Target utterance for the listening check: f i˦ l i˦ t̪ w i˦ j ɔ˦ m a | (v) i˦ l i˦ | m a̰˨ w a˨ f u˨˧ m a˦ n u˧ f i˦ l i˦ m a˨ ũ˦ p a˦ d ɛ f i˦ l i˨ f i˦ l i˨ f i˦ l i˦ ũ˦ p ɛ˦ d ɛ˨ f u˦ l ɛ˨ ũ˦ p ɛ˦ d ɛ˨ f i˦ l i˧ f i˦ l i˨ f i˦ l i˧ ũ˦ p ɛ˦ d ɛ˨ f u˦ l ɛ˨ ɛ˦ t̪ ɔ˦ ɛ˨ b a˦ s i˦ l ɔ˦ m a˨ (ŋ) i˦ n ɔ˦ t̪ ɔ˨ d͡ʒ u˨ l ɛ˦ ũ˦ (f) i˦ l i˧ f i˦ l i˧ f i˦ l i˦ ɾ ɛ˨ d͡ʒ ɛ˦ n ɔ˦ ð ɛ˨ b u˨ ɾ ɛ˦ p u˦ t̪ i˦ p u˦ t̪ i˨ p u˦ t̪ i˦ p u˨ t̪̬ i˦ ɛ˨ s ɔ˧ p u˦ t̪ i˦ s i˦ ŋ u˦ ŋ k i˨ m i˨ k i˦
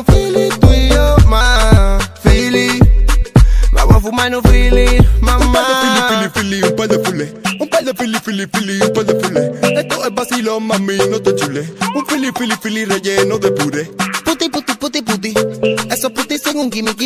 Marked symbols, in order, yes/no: no, no, yes

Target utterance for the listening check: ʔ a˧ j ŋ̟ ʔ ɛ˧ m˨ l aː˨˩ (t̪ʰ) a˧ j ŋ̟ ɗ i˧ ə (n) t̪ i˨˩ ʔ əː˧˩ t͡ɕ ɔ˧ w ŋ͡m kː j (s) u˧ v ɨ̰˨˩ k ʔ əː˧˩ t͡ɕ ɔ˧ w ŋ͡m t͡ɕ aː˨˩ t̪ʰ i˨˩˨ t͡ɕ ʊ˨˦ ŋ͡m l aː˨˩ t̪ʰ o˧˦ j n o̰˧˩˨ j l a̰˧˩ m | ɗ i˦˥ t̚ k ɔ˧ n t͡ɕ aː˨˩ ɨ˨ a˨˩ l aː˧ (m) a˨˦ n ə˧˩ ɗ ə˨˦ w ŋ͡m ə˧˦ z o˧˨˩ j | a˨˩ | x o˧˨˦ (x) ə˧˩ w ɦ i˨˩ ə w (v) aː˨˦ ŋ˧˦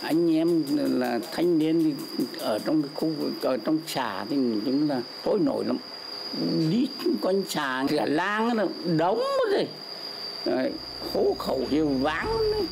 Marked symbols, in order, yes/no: yes, yes, no, no, yes, yes

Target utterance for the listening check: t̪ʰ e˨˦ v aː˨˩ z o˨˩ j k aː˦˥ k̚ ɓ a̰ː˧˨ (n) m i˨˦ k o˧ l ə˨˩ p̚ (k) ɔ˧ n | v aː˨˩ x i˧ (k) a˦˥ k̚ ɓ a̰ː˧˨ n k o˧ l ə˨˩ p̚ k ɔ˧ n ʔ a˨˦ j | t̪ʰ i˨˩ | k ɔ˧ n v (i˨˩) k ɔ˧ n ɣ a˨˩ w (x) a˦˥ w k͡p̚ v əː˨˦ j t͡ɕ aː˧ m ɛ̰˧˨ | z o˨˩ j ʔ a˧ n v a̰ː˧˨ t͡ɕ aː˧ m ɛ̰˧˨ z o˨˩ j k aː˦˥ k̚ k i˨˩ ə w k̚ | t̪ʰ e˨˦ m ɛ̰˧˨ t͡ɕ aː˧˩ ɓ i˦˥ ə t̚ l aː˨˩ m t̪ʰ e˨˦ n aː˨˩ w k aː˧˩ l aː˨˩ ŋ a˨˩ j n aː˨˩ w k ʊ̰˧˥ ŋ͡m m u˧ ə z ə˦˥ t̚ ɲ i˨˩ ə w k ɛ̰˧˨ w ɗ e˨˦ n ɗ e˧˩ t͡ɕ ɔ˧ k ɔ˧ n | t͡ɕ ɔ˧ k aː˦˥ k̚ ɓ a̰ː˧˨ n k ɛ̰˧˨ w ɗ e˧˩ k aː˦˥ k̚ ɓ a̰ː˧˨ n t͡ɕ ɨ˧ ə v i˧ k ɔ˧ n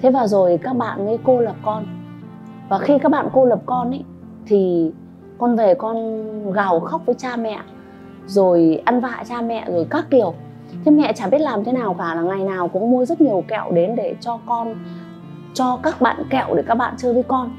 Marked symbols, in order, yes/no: yes, yes, yes, no, yes

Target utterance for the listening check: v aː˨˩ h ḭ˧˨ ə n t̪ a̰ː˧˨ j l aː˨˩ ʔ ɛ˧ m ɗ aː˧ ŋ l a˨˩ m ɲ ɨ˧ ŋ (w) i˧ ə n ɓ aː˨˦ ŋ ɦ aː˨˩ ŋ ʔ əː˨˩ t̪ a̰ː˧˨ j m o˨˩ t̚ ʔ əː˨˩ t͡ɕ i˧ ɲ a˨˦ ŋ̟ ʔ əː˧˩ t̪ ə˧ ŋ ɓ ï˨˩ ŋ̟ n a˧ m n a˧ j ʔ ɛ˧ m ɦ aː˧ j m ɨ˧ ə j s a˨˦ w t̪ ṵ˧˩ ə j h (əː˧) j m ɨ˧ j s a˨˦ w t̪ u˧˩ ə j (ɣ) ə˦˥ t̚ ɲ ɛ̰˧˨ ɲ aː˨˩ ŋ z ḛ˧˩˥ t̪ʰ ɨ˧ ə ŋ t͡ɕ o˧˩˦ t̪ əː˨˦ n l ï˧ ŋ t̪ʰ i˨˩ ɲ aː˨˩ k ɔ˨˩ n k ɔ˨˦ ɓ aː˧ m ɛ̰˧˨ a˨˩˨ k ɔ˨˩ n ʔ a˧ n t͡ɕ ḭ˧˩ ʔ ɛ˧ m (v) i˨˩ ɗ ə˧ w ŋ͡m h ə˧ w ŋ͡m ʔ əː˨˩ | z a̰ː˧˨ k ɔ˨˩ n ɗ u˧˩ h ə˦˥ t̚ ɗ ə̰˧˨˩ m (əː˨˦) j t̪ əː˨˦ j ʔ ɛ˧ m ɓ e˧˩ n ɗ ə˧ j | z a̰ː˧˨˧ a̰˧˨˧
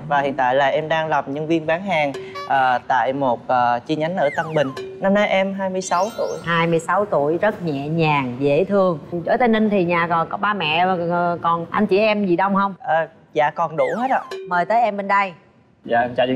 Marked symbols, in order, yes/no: no, no, no, no, no

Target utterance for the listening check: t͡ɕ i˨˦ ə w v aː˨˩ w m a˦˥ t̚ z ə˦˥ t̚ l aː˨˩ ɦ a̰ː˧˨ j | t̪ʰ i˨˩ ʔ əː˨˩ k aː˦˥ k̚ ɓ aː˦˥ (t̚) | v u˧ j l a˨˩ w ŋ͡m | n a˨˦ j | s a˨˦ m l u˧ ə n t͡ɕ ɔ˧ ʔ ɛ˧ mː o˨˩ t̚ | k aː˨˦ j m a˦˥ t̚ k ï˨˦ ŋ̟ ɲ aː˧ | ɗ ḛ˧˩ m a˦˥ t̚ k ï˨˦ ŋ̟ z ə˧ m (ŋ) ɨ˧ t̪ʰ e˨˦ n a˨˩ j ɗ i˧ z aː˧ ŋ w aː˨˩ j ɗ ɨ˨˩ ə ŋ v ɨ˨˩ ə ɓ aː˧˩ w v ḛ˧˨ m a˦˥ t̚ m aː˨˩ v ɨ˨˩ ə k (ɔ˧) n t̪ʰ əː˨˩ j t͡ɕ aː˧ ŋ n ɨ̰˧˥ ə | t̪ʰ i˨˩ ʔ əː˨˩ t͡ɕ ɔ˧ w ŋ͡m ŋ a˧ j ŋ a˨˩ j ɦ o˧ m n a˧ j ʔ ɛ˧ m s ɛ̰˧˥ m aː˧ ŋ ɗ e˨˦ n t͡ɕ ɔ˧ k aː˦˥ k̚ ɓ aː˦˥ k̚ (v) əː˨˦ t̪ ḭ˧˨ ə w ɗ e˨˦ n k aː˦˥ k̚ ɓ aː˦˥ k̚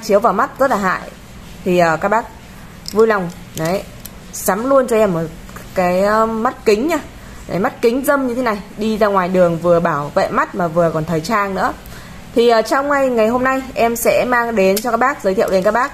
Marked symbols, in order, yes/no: no, no, no, no

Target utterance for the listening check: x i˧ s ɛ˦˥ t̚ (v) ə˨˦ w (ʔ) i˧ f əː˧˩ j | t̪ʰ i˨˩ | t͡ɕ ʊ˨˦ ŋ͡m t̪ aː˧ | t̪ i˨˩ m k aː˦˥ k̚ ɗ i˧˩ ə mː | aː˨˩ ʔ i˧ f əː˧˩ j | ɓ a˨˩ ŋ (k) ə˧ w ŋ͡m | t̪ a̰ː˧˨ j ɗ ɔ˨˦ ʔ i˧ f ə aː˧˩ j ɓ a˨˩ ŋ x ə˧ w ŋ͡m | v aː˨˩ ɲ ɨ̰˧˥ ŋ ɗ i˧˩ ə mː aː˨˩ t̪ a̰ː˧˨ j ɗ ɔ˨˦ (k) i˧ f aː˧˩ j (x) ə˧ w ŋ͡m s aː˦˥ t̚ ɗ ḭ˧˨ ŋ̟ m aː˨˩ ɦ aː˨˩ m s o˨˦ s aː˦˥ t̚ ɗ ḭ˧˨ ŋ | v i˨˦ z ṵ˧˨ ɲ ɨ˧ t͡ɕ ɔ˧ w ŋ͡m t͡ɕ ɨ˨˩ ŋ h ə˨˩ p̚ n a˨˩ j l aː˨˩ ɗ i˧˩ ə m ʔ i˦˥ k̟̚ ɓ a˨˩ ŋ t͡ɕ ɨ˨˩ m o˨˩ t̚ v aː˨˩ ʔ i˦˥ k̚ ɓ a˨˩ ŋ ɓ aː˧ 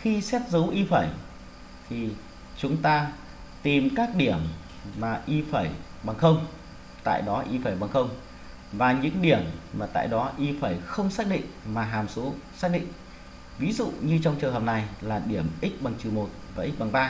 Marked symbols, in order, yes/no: no, yes, no, no, yes

